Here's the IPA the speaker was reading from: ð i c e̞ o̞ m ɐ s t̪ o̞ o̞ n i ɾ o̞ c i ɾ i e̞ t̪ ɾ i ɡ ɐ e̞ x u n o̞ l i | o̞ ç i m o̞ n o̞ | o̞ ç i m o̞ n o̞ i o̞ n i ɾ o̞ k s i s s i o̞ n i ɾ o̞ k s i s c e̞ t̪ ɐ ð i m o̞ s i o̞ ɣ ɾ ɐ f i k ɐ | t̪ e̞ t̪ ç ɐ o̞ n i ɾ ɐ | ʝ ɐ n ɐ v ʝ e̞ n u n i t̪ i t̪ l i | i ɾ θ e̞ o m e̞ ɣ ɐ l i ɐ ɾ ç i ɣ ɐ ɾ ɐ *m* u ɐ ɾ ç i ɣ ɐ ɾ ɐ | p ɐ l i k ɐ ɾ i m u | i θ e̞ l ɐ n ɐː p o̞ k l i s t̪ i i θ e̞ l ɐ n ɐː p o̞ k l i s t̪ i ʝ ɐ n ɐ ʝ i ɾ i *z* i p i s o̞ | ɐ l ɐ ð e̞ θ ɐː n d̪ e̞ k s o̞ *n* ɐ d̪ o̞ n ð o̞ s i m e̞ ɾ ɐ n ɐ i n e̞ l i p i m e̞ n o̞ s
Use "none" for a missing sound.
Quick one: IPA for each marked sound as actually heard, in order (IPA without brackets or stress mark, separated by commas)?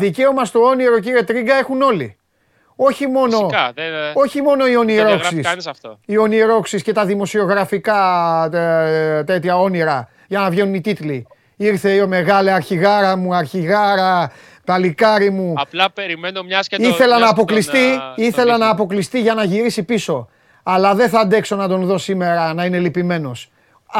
m, s, n